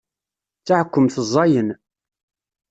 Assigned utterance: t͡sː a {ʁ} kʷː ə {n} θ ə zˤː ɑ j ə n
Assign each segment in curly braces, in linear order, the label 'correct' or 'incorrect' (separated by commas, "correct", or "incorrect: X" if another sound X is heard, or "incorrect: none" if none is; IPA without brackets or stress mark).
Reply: incorrect: ʕ, incorrect: m